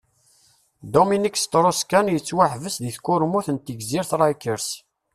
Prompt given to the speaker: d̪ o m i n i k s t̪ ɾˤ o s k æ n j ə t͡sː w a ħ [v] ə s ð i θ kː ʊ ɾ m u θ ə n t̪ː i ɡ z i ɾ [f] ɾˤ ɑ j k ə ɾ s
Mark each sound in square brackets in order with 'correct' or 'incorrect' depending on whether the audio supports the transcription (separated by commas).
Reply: correct, incorrect